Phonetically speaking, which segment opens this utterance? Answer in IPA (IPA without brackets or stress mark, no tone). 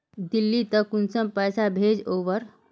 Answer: d̪